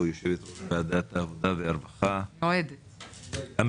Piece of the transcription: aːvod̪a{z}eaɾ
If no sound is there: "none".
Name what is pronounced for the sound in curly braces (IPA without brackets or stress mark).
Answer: v